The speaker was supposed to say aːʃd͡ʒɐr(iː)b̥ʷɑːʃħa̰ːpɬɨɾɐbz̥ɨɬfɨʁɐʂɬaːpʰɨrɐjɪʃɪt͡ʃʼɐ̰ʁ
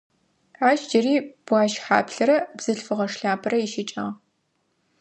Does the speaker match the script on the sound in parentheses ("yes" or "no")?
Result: yes